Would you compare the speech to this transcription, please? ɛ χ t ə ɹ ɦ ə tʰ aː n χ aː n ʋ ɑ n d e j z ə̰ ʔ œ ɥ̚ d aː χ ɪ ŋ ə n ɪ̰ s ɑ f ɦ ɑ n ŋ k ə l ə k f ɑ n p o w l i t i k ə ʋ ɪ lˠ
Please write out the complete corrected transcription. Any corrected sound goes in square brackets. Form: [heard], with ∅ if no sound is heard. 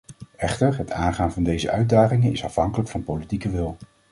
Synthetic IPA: ɛ χ t ə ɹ ɦ ə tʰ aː n χ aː n [v] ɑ n d e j z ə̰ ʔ œ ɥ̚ d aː χ ɪ ŋ ə n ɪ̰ s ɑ f ɦ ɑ [∅] ŋ k ə l ə k f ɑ n p o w l i t i k ə ʋ ɪ lˠ

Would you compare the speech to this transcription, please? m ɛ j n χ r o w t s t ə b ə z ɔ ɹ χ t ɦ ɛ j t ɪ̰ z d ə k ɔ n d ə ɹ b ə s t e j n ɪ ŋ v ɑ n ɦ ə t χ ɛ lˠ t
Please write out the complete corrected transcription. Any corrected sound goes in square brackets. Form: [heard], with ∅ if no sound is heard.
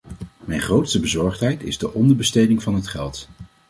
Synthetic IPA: m ɛ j n χ r o w t s t ə b ə z ɔ ɹ χ t ɦ ɛ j t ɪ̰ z d ə [ʔ] ɔ n d ə ɹ b ə s t e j [d] ɪ ŋ v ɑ n ɦ ə t χ ɛ lˠ t

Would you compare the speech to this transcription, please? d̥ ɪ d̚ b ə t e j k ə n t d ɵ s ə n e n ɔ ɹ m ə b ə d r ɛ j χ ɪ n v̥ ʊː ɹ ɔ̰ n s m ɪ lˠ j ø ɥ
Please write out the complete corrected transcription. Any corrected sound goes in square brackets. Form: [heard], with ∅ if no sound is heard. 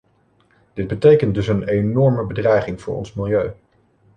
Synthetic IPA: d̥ ɪ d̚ b ə t e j k ə n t d ɵ s ə n e n ɔ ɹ m ə b ə d r ɛ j χ ɪ [ŋ] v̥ ʊː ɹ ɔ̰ n s m ɪ lˠ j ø ɥ

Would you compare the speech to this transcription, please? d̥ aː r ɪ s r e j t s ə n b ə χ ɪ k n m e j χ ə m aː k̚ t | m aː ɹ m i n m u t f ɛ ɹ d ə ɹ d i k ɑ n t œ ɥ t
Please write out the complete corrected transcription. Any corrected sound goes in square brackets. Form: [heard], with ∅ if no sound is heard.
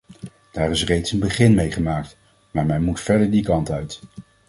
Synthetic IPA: d̥ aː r ɪ s r e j t s ə n b ə χ ɪ [∅] n m e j χ ə m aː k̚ t | m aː ɹ m [ɛ] n m u t f ɛ ɹ d ə ɹ d i k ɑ n t œ ɥ t

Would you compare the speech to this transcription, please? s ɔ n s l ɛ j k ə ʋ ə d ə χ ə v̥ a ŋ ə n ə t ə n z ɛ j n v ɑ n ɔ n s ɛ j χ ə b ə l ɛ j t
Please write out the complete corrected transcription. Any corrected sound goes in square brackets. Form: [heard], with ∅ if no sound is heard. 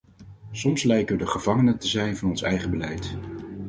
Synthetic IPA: s ɔ [m] s l ɛ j k ə ʋ ə d ə χ ə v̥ [ɑ] ŋ ə n ə t ə [∅] z ɛ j n v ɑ n ɔ n s ɛ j χ ə b ə l ɛ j t

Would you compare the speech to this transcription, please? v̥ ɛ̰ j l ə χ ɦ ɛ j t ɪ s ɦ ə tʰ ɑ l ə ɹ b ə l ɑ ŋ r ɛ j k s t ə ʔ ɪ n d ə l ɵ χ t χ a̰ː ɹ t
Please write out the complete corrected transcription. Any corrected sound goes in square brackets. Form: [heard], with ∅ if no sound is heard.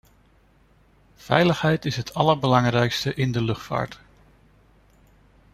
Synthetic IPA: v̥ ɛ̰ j l ə χ ɦ ɛ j t ɪ s ɦ ə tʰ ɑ l ə ɹ b ə l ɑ ŋ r ɛ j k s t ə ʔ ɪ n d ə l ɵ χ t [f] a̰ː ɹ t

